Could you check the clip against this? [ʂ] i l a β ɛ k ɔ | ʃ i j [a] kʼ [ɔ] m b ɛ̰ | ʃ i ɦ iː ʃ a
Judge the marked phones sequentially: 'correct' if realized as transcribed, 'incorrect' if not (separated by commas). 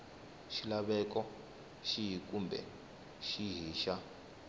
incorrect, incorrect, incorrect